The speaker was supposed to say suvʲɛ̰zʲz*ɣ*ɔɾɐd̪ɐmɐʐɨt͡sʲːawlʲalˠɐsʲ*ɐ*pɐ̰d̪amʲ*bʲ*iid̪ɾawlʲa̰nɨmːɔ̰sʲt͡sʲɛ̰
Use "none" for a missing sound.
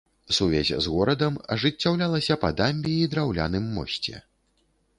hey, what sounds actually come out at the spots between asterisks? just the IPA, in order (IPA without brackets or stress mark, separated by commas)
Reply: ɣ, ɐ, bʲ